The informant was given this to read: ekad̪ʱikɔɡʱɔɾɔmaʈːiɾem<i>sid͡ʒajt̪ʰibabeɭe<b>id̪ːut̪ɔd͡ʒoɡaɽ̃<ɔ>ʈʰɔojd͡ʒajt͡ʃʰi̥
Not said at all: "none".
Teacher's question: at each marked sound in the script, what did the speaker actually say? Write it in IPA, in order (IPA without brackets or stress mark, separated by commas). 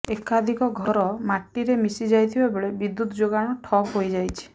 i, b, ɔ